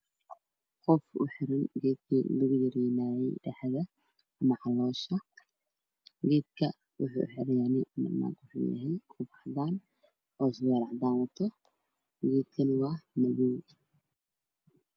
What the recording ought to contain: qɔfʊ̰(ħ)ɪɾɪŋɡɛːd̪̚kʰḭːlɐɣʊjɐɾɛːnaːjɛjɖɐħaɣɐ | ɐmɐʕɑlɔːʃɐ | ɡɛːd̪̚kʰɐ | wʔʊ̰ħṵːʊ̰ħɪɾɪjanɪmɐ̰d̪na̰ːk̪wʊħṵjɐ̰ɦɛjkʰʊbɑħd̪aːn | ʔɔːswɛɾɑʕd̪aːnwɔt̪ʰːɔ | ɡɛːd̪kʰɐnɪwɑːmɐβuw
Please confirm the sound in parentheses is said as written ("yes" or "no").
yes